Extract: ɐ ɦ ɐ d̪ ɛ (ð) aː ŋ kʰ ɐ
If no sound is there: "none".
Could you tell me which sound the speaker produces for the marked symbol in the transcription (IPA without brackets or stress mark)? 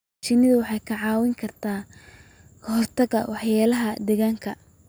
ɣ